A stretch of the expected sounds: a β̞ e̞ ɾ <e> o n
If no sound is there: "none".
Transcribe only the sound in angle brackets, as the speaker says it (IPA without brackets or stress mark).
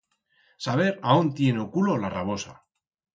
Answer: a